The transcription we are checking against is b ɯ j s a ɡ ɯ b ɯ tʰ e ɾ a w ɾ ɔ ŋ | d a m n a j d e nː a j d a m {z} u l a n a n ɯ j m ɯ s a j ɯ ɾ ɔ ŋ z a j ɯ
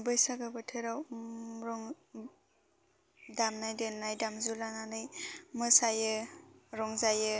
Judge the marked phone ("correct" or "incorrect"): correct